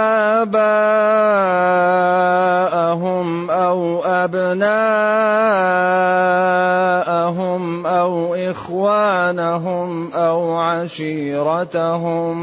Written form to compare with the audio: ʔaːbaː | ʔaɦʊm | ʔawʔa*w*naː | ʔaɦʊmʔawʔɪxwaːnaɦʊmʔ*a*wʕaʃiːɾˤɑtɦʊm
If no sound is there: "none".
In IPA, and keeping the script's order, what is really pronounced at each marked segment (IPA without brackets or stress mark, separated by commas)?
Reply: b, a